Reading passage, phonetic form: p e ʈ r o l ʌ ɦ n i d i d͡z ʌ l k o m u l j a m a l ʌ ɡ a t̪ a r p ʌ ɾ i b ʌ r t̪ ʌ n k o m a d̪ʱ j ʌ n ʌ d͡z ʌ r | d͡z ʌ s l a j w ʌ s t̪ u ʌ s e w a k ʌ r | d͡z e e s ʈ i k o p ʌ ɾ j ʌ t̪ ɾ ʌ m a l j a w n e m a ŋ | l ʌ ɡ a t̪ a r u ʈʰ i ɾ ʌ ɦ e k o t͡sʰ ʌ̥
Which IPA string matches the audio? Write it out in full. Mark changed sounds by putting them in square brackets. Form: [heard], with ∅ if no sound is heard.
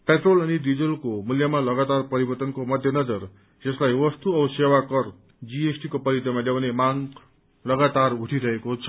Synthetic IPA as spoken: p e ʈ r o l ʌ [∅] n i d i d͡z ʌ l k o m u l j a m a l ʌ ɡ a t̪ a r p ʌ ɾ i b ʌ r t̪ ʌ n k o m [ʌ] d̪ʱ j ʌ n ʌ d͡z ʌ r | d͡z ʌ s l a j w ʌ s t̪ u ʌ s e w a k ʌ r | d͡z [i] e s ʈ i k o p ʌ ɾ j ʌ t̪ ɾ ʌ m a l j a w n e m a ŋ | l ʌ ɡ a t̪ a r u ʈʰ i ɾ ʌ ɦ e k o t͡sʰ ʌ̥